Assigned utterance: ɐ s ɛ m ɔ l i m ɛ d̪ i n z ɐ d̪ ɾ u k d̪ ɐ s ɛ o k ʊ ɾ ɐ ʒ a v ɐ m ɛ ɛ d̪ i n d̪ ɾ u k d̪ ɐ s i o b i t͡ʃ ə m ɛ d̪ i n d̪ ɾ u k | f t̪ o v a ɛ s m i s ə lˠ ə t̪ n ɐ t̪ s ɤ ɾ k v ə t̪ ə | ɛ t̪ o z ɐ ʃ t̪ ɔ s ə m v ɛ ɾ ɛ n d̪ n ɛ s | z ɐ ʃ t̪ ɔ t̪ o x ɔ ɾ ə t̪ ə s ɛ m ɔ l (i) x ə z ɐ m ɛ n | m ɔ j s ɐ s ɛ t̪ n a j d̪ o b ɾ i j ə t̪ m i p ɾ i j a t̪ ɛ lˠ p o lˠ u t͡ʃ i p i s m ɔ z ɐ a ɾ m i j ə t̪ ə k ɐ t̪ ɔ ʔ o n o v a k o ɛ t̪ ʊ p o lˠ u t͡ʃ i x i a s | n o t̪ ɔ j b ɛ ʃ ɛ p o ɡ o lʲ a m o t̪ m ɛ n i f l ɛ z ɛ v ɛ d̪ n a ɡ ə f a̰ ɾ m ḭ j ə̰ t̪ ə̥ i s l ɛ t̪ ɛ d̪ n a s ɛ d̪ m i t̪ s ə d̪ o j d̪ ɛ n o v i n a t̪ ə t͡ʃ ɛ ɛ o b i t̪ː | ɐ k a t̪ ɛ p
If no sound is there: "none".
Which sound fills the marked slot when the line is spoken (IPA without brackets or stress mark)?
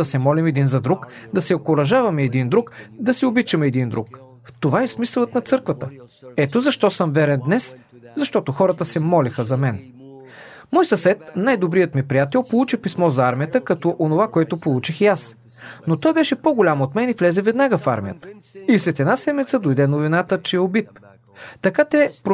i